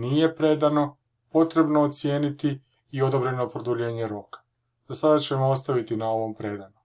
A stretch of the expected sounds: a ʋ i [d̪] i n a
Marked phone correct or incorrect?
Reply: incorrect: t̪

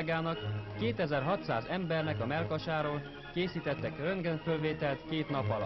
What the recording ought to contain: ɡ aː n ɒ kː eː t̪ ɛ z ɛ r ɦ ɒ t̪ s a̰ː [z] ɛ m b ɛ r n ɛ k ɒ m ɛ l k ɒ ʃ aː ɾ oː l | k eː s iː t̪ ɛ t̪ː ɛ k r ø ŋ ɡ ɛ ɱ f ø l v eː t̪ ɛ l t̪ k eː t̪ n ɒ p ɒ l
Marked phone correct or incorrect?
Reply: correct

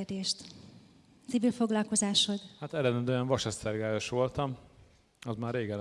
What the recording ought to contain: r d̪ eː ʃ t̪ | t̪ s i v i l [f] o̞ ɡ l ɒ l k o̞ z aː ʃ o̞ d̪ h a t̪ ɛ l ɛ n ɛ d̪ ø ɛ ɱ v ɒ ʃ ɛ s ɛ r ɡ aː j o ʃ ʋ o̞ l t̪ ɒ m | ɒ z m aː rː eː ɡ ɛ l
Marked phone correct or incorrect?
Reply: correct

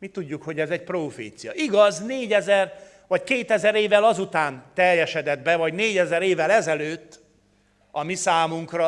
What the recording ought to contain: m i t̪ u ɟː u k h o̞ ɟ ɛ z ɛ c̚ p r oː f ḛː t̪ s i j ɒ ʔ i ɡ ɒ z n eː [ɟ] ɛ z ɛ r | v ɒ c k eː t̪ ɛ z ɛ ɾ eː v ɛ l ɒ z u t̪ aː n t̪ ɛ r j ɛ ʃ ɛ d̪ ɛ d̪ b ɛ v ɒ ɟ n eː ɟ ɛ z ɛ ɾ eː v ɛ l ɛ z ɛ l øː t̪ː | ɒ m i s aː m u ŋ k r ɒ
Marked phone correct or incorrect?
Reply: correct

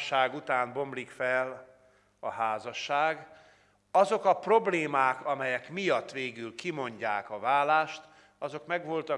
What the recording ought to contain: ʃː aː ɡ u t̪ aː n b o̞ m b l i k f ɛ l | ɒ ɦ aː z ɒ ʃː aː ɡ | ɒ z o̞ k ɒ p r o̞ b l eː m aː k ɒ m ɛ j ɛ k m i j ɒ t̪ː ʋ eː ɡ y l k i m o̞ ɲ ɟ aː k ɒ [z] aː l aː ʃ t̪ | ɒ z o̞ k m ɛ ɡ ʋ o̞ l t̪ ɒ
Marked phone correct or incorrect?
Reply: incorrect: v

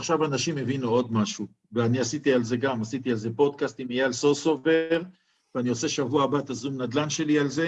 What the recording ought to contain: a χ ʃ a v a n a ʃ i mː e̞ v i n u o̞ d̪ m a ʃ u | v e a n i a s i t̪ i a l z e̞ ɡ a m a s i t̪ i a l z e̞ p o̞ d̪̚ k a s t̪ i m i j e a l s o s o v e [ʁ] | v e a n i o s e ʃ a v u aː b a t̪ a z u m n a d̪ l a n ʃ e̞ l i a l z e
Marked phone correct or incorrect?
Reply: correct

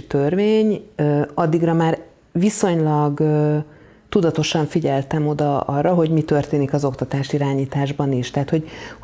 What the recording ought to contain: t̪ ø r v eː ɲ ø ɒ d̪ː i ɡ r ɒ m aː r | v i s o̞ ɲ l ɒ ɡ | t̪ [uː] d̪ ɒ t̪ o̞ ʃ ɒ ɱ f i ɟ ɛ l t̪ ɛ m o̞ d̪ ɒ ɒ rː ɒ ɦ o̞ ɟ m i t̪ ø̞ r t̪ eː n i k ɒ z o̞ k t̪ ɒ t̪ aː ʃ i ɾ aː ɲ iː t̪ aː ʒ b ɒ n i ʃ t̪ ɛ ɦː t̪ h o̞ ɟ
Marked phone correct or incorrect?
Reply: incorrect: u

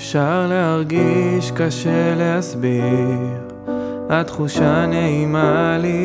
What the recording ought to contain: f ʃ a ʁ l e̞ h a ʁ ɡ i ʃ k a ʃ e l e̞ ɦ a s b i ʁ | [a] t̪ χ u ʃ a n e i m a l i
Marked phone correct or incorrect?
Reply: correct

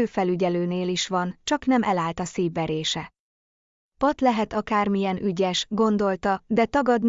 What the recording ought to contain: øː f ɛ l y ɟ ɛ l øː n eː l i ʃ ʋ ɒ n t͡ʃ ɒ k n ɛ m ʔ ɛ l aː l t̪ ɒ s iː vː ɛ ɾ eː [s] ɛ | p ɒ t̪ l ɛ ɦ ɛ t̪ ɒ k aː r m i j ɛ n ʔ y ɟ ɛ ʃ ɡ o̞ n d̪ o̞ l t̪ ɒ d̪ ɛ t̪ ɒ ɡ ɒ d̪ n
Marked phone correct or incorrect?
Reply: incorrect: ʃ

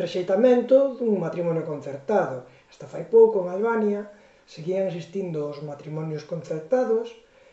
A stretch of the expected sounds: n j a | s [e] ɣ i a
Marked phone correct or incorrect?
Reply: correct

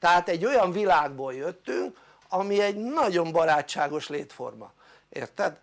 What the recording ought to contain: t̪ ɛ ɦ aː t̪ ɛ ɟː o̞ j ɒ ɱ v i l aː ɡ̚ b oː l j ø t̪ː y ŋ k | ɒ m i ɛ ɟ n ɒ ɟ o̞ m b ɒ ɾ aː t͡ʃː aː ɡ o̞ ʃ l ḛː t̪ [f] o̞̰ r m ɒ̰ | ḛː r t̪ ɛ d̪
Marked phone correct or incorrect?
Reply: correct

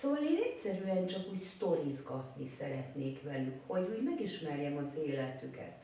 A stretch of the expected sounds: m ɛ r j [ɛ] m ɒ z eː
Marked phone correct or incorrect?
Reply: correct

